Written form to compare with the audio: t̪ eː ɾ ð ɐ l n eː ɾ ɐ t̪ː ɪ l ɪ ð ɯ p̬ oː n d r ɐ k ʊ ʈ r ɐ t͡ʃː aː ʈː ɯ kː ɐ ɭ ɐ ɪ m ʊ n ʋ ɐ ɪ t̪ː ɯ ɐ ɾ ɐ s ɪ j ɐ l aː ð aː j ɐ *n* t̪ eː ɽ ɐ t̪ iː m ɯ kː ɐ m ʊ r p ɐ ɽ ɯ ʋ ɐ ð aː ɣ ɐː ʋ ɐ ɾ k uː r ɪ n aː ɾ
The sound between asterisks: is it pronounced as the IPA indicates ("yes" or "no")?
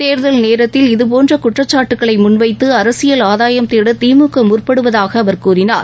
no